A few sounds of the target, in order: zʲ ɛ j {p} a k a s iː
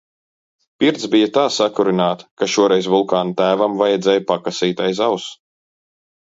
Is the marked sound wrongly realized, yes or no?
no